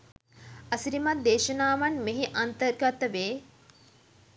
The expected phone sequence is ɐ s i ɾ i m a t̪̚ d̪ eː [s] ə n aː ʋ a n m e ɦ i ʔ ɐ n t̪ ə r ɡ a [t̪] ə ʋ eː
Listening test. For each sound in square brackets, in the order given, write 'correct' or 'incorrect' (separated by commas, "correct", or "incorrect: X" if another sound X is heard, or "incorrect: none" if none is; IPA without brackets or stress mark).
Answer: incorrect: ʃ, correct